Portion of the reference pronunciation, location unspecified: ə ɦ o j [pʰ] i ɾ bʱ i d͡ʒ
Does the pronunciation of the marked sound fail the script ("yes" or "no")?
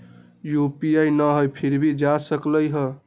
no